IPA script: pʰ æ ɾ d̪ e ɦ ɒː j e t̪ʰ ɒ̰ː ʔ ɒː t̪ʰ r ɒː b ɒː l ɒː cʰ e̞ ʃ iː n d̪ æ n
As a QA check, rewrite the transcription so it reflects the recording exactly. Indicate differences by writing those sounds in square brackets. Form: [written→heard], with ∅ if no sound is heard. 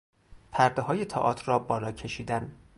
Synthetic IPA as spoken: pʰ æ ɾ d̪ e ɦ ɒː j e t̪ʰ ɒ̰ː ʔ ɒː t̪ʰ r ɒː b ɒː l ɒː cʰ e̞ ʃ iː [n→∅] d̪ æ n